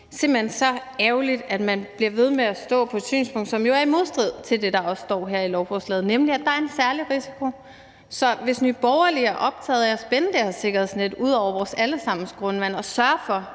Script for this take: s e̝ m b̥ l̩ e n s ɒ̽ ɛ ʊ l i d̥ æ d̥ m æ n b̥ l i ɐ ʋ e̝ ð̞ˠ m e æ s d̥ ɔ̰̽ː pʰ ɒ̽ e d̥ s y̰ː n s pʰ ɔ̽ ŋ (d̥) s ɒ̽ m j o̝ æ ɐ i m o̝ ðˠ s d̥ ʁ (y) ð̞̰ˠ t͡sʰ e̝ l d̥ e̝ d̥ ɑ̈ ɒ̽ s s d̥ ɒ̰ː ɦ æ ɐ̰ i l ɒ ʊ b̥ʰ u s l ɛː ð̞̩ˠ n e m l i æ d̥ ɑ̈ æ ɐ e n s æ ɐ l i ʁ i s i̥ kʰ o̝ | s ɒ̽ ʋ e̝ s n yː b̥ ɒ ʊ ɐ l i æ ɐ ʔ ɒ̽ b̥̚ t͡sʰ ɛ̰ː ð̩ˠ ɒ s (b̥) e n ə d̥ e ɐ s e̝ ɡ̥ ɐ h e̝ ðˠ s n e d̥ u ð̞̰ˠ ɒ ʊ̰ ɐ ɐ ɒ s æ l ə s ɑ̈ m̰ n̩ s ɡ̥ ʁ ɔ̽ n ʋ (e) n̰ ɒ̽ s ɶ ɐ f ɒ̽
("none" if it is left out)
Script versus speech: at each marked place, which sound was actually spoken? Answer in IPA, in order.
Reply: d̥, i, b̥, æ

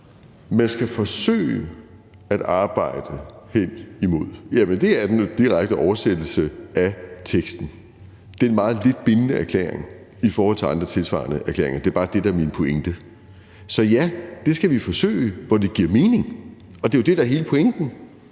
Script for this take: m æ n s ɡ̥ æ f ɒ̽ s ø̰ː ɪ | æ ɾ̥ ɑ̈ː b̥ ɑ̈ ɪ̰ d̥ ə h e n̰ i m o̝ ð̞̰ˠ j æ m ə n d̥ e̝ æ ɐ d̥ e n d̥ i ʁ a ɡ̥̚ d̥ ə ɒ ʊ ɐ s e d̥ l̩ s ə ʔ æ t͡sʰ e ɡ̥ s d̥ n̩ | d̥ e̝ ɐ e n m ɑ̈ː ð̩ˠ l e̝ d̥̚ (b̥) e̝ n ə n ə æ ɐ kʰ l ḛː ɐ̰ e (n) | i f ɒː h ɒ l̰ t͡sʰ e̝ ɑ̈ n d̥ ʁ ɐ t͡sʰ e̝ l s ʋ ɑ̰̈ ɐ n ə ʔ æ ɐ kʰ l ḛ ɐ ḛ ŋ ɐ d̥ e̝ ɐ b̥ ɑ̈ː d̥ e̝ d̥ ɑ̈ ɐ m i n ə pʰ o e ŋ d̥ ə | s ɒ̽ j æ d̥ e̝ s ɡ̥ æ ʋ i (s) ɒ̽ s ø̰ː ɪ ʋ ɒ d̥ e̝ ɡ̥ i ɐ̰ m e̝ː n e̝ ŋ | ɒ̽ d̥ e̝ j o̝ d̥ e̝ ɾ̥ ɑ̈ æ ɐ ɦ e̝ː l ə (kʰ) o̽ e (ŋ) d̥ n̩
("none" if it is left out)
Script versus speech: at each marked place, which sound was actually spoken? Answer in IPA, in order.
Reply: b̥, ŋ, f, pʰ, ŋ

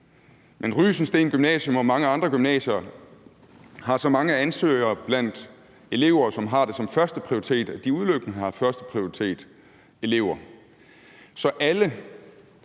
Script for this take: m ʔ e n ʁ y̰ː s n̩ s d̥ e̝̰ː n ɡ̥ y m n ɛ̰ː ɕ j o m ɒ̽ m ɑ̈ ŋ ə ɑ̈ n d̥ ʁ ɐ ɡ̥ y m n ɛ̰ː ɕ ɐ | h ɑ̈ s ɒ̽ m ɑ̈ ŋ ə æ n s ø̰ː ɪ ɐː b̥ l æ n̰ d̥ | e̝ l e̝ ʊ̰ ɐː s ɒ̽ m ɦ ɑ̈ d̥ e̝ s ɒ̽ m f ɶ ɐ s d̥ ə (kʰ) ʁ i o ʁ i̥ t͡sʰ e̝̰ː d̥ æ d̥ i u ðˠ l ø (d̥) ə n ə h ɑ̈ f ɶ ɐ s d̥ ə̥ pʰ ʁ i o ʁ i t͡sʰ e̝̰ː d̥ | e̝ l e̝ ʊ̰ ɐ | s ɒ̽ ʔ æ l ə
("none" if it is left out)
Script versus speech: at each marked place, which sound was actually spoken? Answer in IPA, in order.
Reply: pʰ, ɡ̥

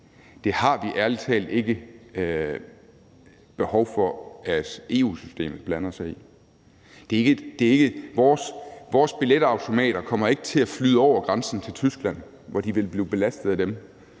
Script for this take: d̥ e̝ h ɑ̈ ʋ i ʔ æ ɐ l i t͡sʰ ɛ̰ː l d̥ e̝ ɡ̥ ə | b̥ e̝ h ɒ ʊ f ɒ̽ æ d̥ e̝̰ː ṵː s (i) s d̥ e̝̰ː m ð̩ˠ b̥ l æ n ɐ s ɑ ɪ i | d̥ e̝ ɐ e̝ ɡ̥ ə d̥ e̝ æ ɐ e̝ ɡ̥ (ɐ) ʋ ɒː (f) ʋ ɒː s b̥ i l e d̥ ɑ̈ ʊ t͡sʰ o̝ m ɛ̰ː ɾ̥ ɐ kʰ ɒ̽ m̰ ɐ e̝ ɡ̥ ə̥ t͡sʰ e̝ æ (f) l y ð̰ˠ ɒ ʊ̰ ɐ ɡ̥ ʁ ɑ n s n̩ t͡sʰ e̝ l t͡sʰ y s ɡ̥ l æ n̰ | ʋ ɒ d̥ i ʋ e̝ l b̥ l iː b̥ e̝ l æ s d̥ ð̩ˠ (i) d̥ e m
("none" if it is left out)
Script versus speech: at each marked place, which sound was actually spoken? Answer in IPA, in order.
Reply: y, ə, s, f, æ

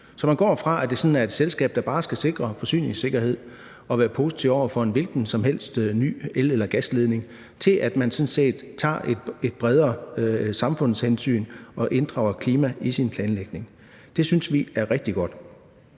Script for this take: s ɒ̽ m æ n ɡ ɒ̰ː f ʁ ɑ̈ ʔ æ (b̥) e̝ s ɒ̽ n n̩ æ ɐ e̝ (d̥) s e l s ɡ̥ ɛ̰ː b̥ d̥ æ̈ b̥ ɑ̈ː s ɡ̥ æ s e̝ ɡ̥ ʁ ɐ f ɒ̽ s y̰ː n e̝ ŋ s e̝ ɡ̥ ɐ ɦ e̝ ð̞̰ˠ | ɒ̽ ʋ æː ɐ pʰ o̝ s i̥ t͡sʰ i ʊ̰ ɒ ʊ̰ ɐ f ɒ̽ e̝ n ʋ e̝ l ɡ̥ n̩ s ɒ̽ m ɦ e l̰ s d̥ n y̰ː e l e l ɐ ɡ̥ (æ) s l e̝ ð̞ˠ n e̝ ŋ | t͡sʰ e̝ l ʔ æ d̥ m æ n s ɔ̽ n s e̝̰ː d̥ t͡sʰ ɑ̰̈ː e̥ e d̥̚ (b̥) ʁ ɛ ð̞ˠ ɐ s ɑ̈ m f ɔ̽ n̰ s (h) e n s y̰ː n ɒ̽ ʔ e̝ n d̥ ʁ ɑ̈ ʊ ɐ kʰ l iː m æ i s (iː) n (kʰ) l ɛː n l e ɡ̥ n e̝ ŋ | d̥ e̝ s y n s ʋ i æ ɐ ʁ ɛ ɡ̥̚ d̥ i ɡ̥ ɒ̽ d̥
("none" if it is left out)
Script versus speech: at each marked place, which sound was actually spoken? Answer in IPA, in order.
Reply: d̥, d̥, æ, b̥, h, i, pʰ

